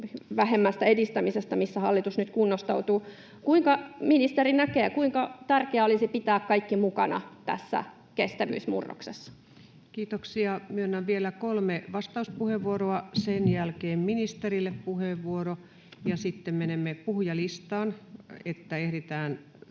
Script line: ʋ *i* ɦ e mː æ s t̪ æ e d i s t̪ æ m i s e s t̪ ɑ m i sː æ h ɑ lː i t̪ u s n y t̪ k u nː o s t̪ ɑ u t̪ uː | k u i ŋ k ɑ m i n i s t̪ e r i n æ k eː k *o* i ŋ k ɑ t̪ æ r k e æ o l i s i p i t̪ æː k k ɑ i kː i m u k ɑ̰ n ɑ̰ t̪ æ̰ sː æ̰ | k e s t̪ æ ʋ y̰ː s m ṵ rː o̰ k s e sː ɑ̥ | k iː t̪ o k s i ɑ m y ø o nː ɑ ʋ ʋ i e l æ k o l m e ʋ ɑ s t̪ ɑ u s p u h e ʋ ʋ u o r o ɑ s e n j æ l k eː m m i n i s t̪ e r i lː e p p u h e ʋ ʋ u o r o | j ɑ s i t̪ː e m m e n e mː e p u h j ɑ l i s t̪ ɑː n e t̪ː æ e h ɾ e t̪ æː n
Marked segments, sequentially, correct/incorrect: incorrect, incorrect

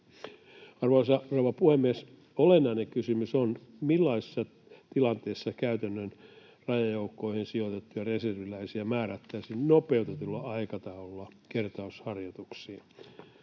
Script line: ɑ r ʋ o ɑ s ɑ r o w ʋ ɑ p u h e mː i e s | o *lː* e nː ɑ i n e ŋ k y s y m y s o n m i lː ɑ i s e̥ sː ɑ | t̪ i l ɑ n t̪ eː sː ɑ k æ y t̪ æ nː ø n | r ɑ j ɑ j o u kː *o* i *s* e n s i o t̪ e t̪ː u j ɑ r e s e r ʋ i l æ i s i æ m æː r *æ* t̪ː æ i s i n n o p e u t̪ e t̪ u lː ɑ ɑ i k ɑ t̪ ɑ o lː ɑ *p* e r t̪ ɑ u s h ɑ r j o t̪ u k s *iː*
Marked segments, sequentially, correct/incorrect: incorrect, correct, incorrect, correct, incorrect, correct

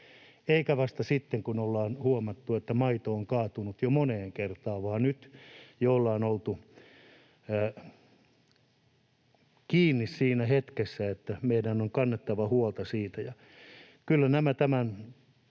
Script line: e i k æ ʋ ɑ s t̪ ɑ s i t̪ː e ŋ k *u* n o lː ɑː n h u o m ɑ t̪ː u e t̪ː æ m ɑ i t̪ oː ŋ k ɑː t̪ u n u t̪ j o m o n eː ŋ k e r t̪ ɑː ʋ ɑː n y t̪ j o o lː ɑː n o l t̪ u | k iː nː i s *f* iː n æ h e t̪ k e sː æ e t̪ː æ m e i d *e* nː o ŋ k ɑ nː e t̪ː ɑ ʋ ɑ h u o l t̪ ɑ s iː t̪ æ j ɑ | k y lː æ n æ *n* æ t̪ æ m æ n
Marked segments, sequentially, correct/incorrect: correct, incorrect, incorrect, incorrect

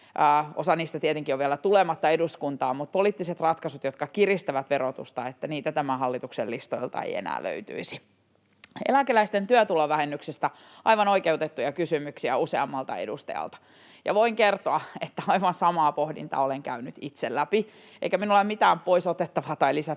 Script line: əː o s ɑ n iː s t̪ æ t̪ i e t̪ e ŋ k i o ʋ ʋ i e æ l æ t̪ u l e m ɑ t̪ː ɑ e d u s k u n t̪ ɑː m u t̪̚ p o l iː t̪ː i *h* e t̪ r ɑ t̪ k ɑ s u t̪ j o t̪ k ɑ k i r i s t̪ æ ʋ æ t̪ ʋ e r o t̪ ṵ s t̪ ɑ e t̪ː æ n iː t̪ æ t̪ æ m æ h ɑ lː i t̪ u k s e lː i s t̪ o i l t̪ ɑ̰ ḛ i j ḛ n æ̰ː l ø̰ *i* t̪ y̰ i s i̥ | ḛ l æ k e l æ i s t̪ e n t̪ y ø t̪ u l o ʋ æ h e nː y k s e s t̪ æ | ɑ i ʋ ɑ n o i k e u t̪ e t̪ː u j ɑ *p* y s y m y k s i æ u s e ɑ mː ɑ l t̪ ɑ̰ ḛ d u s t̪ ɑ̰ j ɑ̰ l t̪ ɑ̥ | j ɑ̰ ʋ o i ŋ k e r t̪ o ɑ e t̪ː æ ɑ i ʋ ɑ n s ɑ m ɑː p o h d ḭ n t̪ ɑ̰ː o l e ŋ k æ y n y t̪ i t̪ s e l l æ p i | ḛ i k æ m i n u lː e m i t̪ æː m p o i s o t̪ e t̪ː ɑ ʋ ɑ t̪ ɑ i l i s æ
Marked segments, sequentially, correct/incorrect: incorrect, incorrect, incorrect

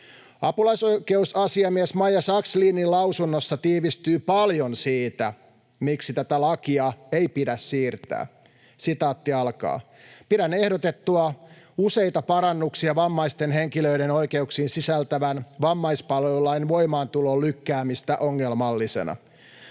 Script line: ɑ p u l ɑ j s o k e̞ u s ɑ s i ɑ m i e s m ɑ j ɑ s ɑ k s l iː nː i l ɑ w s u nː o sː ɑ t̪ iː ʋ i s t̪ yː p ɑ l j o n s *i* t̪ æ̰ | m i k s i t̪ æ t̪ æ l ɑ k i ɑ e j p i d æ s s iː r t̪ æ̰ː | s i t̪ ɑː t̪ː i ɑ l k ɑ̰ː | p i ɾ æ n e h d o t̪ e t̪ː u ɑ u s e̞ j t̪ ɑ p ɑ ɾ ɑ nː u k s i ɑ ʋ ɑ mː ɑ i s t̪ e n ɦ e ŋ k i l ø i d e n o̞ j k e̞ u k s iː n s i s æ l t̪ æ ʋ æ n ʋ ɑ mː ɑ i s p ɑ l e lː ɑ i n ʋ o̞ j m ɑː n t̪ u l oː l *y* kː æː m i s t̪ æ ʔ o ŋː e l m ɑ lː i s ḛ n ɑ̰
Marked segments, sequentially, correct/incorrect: incorrect, correct

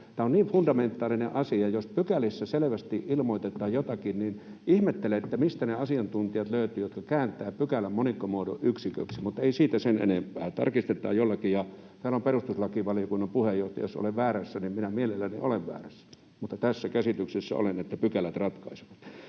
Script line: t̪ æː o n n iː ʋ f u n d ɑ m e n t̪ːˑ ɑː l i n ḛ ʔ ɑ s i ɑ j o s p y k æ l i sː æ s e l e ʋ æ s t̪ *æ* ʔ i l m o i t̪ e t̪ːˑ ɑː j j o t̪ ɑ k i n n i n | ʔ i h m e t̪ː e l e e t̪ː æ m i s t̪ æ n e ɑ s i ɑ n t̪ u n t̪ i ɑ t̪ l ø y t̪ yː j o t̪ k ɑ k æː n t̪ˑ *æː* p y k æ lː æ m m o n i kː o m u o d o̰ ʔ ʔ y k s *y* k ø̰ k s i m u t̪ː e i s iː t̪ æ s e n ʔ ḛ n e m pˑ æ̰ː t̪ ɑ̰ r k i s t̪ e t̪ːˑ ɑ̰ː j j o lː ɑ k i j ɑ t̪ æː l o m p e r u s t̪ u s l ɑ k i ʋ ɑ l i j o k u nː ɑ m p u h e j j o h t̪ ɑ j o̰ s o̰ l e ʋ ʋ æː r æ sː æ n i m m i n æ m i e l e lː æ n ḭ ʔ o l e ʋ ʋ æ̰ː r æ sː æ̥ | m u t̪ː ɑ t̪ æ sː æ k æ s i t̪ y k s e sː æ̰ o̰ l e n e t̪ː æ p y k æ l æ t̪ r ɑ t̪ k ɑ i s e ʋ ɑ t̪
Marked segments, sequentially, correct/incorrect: incorrect, correct, incorrect

